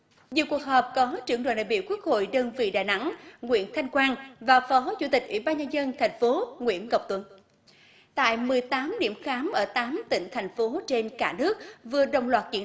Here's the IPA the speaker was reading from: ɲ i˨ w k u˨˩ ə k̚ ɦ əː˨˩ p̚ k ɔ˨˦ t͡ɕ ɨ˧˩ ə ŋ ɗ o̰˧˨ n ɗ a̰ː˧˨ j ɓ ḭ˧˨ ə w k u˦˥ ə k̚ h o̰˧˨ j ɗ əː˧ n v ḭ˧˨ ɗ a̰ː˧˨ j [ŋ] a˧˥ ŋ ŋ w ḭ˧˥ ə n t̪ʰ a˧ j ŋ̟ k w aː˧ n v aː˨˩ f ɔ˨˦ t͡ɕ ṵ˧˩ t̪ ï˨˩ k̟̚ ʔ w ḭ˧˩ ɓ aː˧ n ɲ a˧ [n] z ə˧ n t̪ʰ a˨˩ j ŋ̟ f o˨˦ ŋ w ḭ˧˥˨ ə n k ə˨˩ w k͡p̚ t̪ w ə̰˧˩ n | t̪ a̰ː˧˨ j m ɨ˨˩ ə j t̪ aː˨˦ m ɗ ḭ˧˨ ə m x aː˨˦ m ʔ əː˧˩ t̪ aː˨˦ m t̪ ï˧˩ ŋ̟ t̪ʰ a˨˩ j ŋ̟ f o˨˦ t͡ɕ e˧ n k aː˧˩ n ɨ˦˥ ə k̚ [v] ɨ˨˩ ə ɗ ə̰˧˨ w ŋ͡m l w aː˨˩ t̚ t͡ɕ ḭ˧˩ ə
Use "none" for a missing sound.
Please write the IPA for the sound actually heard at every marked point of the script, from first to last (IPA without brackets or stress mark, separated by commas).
n, n, v